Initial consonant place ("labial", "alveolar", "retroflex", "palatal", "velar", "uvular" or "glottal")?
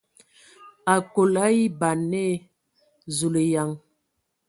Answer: velar